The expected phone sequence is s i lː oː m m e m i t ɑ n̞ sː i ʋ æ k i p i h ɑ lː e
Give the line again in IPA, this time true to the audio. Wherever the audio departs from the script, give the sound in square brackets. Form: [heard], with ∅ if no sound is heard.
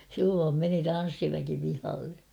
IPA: s i lː oː m m e [n] i t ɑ n̞ sː i ʋ æ k i p i h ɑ lː e

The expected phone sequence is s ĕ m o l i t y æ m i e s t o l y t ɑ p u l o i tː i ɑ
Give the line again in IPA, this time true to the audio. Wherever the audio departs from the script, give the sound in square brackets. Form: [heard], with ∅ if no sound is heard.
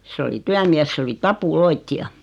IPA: s ĕ [∅] o l i t y æ m i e s [s] o l [i] t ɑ p u l o i tː i ɑ

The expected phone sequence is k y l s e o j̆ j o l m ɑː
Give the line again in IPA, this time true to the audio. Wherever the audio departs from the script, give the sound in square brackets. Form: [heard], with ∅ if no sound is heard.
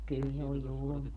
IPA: k y l s e o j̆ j [u] l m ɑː

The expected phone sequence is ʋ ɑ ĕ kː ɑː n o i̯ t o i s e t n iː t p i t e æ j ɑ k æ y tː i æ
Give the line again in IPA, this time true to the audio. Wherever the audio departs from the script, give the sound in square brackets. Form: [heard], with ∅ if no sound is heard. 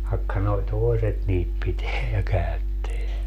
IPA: ʋ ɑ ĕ kː [ɑ] n o i̯ t o [e] s e t n iː t p i t e æ j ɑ k æ y tː [e] æ

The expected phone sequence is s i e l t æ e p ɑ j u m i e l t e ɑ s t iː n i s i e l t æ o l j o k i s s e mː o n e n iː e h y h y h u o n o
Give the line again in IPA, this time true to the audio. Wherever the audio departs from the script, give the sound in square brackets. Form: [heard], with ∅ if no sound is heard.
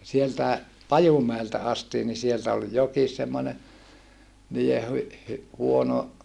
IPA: s i e l t æ e p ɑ j u m [æ] e l t [æ] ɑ s t iː n i s i e l t æ o l j o k i s s e mː o n e n iː e h y h y h u o n o

